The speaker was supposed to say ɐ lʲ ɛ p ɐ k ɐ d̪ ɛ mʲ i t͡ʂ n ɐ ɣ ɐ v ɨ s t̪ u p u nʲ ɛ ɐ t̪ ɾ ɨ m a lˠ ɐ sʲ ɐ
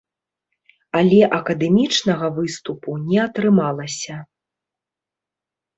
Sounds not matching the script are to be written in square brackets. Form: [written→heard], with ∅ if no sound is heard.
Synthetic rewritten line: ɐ lʲ ɛ [p→ʔ] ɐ k ɐ d̪ ɛ mʲ i t͡ʂ n ɐ ɣ ɐ v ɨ s t̪ u p u nʲ ɛ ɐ t̪ ɾ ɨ m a lˠ ɐ sʲ ɐ

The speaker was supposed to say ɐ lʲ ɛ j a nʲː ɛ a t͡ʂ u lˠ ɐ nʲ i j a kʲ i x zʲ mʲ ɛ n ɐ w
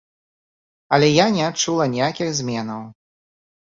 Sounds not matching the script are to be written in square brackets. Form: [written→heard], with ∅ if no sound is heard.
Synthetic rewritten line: ɐ lʲ ɛ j a [nʲː→nʲ] ɛ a t͡ʂ u lˠ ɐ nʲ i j a kʲ i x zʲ mʲ ɛ n ɐ w

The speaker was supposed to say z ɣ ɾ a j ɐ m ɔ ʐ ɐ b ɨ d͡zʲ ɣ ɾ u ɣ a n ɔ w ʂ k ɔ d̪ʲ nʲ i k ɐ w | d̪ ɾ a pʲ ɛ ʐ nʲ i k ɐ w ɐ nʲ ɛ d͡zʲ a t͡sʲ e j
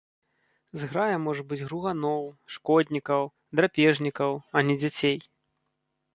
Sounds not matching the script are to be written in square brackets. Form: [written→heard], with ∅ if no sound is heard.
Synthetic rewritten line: z ɣ ɾ a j ɐ m ɔ ʐ ɐ b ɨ d͡zʲ ɣ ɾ u ɣ a n ɔ w ʂ k ɔ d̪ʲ nʲ i k ɐ w | d̪ ɾ a pʲ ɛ ʐ nʲ i k ɐ w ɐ nʲ ɛ d͡zʲ a t͡sʲ e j

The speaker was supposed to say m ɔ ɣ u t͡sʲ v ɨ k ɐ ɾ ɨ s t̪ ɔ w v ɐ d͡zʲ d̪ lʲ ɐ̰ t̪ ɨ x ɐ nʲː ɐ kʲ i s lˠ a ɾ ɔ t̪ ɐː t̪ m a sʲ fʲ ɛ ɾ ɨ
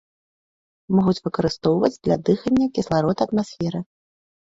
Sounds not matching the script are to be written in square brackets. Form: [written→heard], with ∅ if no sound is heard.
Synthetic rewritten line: m ɔ ɣ u t͡sʲ v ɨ k ɐ ɾ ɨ s t̪ ɔ w v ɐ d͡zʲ d̪ lʲ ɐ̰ [t̪→d̪] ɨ x ɐ nʲː ɐ kʲ i s lˠ a ɾ ɔ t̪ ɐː t̪ m a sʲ fʲ ɛ ɾ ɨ

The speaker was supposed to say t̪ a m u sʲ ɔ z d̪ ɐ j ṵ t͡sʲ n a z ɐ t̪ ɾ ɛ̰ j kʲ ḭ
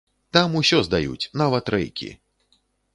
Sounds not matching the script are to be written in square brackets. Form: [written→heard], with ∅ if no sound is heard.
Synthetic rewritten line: t̪ a m u sʲ ɔ z d̪ [ɐ→a] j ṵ t͡sʲ n a [z→v] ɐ t̪ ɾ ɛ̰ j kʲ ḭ

